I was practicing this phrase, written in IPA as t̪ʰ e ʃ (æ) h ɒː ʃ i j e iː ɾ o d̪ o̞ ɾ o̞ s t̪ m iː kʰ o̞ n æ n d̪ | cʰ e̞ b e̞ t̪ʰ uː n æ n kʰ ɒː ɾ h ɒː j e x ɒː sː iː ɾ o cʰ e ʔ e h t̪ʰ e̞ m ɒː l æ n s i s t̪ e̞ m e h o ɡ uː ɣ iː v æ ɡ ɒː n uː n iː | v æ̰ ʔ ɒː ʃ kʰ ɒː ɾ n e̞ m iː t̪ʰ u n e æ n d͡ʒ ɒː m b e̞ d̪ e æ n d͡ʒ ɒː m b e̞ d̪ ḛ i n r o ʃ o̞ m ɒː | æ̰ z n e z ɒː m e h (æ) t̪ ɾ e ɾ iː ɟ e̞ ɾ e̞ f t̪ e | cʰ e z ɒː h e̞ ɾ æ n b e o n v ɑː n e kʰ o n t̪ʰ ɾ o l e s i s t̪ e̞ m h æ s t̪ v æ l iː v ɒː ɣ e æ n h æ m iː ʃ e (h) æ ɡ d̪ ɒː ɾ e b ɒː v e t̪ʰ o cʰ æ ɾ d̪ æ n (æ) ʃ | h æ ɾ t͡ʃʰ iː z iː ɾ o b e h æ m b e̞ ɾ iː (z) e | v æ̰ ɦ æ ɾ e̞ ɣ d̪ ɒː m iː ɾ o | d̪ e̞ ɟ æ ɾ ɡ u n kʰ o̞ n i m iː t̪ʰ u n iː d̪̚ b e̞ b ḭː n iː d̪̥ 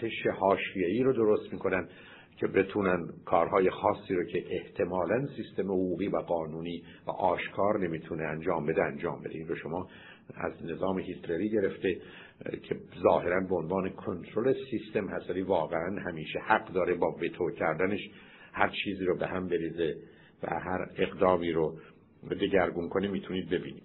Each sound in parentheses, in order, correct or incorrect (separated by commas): incorrect, incorrect, correct, incorrect, correct